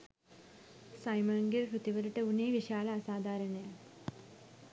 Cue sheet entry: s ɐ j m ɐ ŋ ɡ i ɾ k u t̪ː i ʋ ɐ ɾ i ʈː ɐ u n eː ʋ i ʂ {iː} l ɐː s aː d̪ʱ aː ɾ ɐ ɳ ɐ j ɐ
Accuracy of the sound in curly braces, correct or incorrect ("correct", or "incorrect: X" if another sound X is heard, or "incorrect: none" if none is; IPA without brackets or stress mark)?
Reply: incorrect: aː